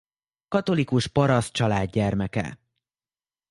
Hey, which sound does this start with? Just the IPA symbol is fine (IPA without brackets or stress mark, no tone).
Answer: k